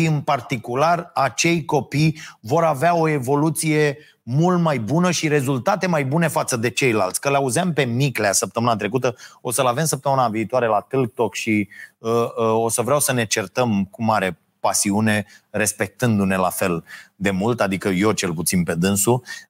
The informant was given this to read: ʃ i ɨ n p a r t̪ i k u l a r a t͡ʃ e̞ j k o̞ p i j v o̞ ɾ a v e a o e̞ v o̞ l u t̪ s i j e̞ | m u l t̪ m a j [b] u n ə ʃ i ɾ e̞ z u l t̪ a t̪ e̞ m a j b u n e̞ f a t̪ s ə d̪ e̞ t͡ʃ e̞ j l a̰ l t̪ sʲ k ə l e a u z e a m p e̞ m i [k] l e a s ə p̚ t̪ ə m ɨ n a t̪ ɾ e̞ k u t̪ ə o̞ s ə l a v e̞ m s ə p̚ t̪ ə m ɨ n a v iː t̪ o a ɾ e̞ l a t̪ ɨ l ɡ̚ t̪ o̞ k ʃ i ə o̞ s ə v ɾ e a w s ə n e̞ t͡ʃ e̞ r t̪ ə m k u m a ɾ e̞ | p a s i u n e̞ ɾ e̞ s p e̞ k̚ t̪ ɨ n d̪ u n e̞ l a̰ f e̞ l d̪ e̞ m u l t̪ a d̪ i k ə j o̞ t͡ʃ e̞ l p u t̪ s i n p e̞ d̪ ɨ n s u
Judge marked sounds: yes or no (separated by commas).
yes, yes